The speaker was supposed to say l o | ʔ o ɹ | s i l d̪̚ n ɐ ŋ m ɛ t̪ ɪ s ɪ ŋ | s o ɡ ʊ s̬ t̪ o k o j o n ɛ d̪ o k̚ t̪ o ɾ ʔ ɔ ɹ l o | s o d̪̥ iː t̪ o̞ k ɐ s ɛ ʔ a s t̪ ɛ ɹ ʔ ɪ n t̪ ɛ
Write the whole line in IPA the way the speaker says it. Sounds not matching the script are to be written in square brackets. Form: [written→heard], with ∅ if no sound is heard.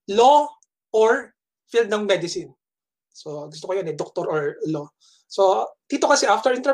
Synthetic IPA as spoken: l o | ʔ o ɹ | [s→f] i l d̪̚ n ɐ ŋ m ɛ [t̪→d̪] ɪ s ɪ [ŋ→n] | s o ɡ ʊ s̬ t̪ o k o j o n ɛ d̪ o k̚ t̪ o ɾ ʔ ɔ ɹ l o | s o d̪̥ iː t̪ o̞ k ɐ s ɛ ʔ a [s→f] t̪ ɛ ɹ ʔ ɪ n t̪ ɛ